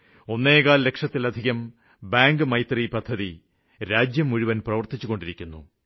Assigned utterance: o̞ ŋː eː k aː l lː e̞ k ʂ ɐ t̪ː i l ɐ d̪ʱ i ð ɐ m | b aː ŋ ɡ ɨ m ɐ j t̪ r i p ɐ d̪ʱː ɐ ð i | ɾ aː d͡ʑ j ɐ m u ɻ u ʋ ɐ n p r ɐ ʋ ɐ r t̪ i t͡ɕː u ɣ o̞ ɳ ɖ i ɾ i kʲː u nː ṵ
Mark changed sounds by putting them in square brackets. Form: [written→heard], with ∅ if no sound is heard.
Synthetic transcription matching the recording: o̞ [ŋː→nː] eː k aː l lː e̞ k ʂ ɐ t̪ː i l ɐ d̪ʱ i [ð→ɣ] ɐ m | b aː ŋ ɡ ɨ m ɐ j t̪ r i p ɐ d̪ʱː ɐ ð i | ɾ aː d͡ʑ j ɐ m u ɻ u ʋ ɐ n p r ɐ ʋ ɐ r t̪ i t͡ɕː u ɣ o̞ ɳ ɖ i ɾ i kʲː u nː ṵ